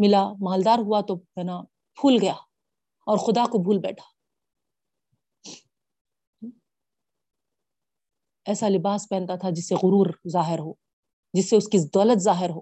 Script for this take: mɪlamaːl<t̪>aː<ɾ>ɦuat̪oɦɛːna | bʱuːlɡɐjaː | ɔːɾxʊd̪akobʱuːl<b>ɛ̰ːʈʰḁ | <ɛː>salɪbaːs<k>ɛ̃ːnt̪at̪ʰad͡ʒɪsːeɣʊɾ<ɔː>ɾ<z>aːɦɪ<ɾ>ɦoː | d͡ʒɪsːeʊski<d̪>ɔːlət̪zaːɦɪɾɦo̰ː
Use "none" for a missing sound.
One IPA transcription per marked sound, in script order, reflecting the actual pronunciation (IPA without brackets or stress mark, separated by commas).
d̪, ɾ, b, ɛː, p, uː, z, ɾ, d̪